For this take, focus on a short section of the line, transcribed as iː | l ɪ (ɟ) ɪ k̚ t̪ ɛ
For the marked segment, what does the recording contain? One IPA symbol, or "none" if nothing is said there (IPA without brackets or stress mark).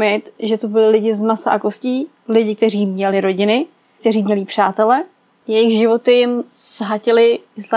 ɟ